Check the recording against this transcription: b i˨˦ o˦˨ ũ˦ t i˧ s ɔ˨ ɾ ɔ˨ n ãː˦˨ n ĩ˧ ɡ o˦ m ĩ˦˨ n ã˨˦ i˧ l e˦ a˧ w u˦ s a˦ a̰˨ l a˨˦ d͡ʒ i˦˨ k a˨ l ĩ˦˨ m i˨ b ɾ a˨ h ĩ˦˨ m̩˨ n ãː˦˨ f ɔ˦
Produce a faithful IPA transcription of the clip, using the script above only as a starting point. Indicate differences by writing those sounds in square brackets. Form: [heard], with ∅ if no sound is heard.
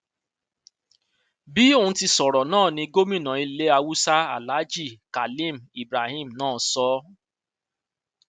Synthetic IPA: b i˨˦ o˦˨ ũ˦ t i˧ s ɔ˨ ɾ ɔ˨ n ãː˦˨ n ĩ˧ ɡ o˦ m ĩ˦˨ n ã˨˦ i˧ l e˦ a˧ w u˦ s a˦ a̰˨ l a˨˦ d͡ʒ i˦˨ k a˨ l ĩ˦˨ m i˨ b ɾ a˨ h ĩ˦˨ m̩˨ n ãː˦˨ [s] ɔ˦